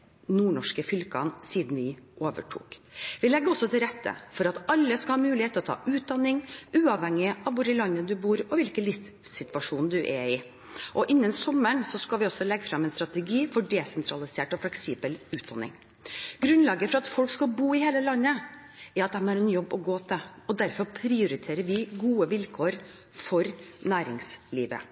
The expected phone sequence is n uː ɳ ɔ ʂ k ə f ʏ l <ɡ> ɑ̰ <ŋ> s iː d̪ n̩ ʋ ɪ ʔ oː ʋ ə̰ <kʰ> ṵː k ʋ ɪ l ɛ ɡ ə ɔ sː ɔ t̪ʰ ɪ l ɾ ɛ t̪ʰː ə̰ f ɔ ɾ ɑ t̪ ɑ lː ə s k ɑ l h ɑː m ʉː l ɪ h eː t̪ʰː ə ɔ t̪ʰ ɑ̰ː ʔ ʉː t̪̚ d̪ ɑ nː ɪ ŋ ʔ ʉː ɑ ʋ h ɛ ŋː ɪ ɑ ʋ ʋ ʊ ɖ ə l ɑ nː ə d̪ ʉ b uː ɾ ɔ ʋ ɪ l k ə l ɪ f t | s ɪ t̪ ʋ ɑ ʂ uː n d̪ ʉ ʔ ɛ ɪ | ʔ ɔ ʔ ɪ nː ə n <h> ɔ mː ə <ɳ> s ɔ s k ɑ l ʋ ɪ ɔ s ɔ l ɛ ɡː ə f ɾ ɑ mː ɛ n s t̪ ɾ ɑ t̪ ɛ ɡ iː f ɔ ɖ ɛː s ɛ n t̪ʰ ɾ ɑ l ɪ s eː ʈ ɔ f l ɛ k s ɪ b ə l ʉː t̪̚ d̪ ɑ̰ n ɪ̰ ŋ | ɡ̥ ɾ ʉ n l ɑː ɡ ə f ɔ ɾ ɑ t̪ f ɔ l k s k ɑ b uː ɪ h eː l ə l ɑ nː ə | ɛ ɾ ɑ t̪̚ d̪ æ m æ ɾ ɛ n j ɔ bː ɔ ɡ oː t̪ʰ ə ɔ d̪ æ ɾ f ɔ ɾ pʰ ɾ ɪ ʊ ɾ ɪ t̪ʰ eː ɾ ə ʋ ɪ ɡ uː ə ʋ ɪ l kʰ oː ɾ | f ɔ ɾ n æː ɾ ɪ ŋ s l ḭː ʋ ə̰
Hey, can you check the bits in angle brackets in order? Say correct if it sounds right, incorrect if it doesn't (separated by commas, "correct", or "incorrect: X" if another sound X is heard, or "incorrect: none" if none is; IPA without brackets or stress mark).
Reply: incorrect: k, incorrect: n, incorrect: ʈʰ, incorrect: s, correct